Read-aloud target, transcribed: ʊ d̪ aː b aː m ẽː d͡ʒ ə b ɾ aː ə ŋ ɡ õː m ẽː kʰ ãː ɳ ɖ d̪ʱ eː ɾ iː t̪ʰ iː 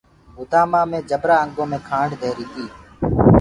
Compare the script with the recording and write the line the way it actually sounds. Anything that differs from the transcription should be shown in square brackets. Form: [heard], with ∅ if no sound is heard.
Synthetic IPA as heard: ʊ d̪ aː [m] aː m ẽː d͡ʒ ə b ɾ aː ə ŋ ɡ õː m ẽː kʰ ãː ɳ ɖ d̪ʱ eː ɾ iː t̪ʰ iː

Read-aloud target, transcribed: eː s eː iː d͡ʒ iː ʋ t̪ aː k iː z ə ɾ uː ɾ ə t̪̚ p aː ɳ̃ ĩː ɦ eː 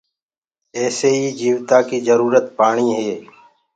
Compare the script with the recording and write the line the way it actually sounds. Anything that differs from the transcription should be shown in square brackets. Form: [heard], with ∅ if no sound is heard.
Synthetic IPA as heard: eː s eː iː d͡ʒ iː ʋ t̪ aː k iː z ə ɾ uː ɾ ə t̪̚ p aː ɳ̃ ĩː ɦ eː

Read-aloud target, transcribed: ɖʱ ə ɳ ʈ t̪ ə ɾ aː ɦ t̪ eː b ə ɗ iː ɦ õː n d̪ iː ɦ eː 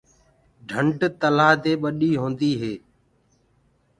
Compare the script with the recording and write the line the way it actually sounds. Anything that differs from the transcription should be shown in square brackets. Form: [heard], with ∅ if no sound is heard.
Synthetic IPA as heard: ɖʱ ə ɳ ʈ t̪ ə [l] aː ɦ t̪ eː [ɓ] ə ɗ iː ɦ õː n d̪ iː ɦ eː

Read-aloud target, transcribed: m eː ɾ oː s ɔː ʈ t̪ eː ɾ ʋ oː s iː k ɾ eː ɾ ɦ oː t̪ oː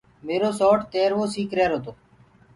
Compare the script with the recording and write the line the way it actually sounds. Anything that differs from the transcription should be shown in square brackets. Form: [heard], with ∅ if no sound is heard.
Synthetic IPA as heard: m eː ɾ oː s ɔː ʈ t̪ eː ɾ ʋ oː s iː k ɾ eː ɾ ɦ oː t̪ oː

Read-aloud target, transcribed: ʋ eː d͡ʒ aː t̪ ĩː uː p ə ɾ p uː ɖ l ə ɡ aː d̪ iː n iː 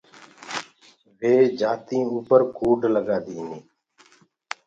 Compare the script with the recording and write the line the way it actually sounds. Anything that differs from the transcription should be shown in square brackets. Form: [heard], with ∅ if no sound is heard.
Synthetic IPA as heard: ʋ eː d͡ʒ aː t̪ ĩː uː p ə ɾ [k] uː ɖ l ə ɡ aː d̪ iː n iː

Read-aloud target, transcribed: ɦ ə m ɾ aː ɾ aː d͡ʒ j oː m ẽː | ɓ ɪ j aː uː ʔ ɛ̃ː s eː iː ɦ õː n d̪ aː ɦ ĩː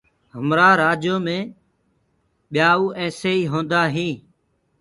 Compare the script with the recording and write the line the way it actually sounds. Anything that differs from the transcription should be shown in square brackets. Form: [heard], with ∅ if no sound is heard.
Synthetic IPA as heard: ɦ ə m ɾ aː ɾ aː d͡ʒ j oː m ẽː | ɓ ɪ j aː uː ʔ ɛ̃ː s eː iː ɦ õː n d̪ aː ɦ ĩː

